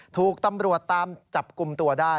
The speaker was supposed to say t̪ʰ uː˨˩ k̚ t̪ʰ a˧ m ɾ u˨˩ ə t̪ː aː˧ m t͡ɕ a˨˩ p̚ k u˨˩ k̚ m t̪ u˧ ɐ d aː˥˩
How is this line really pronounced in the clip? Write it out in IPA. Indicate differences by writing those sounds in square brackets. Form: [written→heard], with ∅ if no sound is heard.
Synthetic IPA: t̪ʰ uː˨˩ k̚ [t̪ʰ→t̪] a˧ m ɾ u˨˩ ə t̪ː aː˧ m t͡ɕ a˨˩ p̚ k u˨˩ [k̚→∅] m t̪ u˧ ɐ d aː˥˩